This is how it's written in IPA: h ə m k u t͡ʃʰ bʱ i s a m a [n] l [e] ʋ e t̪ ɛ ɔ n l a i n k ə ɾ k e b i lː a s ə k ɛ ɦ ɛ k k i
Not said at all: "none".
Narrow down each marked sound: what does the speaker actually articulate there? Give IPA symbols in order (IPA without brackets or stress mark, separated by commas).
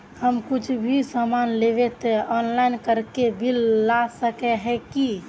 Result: n, e